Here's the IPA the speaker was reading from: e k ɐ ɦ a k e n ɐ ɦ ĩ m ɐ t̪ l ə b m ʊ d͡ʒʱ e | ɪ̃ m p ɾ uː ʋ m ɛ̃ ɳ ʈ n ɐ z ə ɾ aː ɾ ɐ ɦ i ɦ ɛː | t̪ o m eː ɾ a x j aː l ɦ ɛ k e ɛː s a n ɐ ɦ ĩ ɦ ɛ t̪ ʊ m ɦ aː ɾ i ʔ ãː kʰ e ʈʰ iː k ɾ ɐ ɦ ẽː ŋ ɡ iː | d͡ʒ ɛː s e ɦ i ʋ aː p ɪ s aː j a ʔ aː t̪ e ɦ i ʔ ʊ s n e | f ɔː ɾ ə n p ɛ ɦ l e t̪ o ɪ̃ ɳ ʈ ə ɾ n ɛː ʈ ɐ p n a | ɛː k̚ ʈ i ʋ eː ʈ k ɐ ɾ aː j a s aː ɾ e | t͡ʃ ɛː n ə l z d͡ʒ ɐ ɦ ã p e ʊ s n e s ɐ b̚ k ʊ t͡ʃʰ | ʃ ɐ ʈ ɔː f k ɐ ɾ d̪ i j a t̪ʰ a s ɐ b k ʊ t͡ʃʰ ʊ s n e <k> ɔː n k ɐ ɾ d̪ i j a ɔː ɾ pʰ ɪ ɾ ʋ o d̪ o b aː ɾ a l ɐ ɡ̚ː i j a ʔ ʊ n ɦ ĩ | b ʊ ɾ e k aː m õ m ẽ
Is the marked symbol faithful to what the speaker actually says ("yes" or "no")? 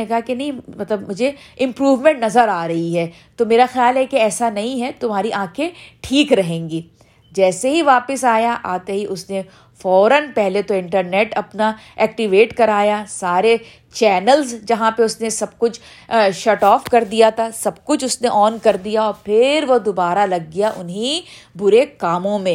no